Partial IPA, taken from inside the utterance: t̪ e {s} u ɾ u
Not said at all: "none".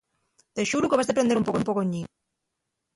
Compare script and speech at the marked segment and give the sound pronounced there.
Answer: ʃ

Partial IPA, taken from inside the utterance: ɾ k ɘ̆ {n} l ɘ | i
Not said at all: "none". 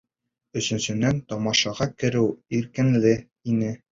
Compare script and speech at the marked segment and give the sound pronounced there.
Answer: n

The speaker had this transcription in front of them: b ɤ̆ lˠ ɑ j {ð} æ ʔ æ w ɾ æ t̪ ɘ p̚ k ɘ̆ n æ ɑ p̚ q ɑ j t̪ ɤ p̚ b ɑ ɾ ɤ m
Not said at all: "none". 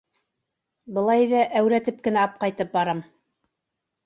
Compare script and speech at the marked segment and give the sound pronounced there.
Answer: ð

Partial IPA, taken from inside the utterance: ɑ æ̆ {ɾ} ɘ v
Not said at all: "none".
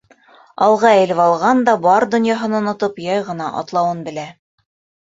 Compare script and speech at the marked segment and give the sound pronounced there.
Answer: l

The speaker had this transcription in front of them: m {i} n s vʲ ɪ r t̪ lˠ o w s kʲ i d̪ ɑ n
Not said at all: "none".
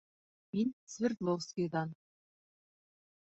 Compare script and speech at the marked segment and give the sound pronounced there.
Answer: i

